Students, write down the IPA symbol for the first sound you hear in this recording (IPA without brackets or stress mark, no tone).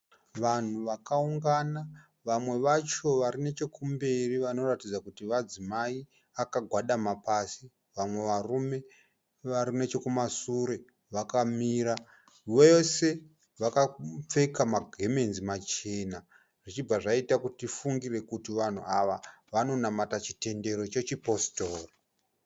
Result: ʋ